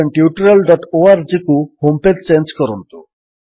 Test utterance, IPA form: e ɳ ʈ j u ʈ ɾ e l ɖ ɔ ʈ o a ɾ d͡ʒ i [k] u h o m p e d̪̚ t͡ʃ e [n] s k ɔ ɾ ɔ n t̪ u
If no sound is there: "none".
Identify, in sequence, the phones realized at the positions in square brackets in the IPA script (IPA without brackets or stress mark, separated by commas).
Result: k, n